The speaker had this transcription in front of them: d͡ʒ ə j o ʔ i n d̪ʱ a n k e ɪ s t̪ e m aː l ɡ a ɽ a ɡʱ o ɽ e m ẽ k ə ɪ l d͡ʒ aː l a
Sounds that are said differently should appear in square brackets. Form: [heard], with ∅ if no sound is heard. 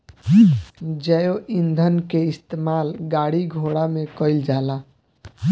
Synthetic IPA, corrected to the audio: d͡ʒ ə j o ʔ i n d̪ʱ [ə] n k e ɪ s t̪ e m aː l ɡ a ɽ [i] ɡʱ o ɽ [a] m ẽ k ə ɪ l d͡ʒ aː l a